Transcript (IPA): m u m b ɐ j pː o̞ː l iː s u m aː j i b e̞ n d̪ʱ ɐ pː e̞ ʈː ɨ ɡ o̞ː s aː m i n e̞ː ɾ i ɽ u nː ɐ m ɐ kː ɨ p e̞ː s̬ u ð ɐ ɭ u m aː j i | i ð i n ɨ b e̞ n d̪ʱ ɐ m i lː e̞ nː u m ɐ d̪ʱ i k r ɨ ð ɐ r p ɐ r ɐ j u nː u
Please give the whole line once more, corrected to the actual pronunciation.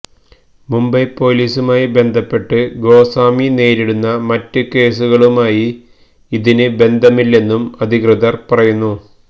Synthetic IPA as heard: m u m b ɐ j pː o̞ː l iː s u m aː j i b e̞ n d̪ʱ ɐ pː e̞ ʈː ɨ ɡ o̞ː s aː m i n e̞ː ɾ i ɽ u nː ɐ m ɐ tː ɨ k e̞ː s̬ u ɣ ɐ ɭ u m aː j i | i ð i n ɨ b e̞ n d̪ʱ ɐ m i lː e̞ nː u m ɐ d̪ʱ i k r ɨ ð ɐ r p ɐ r ɐ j u nː u